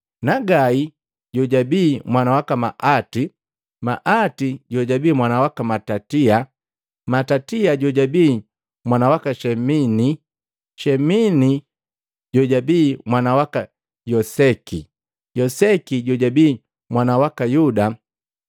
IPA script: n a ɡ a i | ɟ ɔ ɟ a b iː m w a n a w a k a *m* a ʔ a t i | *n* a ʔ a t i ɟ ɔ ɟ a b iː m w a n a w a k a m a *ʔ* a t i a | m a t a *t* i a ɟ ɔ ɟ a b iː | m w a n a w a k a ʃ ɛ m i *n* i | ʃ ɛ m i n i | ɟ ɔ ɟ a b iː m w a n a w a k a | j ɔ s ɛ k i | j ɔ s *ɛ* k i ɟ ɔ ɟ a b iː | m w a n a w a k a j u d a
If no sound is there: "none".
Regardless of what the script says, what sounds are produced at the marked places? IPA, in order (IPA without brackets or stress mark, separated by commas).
m, m, t, t, n, ɛ